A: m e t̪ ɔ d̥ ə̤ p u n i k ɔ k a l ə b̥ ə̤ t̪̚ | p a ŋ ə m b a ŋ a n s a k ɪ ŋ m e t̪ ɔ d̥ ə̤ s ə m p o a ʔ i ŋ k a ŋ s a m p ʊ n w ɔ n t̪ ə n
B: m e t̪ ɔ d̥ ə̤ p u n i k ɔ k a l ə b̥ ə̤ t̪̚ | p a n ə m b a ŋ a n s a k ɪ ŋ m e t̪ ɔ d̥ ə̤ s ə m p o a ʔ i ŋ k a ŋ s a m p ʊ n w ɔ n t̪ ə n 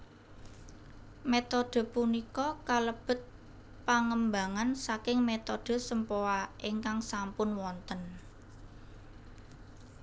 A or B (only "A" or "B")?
A